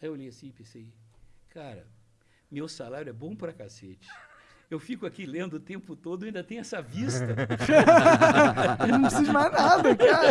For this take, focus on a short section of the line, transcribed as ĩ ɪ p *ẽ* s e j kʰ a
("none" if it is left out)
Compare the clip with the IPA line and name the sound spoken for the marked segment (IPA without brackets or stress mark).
ẽ